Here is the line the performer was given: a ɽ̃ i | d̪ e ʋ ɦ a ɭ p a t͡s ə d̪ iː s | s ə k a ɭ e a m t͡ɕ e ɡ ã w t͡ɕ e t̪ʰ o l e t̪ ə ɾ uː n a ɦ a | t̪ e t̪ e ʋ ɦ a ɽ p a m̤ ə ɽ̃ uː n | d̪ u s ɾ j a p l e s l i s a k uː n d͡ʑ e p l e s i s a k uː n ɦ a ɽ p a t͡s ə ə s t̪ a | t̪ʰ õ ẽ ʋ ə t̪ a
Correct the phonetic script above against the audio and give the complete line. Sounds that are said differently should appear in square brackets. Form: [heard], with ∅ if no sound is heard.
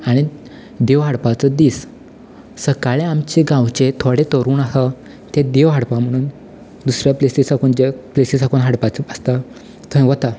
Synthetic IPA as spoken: a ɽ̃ i | d̪ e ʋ ɦ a [ɽ] p a t͡s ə d̪ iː s | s ə k a ɭ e a m t͡ɕ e ɡ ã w t͡ɕ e t̪ʰ o [ɽ] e t̪ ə ɾ uː n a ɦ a | t̪ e [d̪] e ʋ ɦ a ɽ p a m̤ ə ɽ̃ uː n | d̪ u s ɾ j a p l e s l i s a k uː n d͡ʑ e p l e s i s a k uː n ɦ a ɽ p a t͡s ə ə s t̪ a | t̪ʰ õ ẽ ʋ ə t̪ a